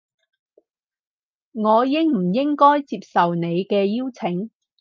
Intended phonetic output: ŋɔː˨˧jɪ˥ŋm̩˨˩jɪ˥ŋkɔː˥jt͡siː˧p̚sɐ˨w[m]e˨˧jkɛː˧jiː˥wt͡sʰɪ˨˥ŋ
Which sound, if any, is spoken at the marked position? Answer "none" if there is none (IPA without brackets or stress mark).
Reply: n